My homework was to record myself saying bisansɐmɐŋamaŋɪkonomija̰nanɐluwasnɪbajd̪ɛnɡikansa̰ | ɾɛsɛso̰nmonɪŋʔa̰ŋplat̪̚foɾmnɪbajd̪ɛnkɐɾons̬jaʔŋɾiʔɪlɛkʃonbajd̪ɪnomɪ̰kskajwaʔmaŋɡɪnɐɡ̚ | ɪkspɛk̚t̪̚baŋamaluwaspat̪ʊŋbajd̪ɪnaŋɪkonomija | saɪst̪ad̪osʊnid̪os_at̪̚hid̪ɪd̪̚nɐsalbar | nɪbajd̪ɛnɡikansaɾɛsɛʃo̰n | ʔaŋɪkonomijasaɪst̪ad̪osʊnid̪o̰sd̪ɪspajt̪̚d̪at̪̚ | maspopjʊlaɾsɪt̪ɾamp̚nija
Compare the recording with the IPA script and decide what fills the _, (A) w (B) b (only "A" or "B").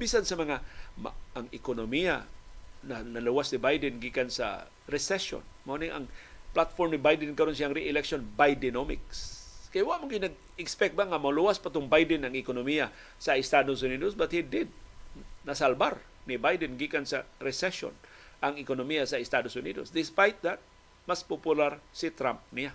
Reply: B